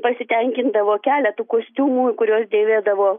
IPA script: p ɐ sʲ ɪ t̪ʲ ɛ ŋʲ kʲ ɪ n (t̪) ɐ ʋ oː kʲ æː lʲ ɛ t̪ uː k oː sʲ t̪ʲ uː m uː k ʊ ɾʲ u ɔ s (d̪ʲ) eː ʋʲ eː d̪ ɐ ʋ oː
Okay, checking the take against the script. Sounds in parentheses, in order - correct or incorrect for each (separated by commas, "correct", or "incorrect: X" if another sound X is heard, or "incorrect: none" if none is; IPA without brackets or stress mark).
incorrect: d̪, correct